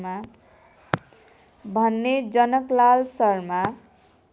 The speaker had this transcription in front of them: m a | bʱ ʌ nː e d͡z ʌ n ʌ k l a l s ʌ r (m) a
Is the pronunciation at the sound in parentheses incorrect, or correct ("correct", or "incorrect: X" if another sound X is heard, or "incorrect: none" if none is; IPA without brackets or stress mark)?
correct